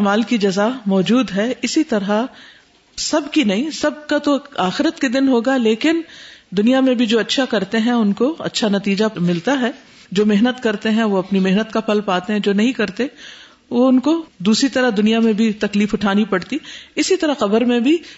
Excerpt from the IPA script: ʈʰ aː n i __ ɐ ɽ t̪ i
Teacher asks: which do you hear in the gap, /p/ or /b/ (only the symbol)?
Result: p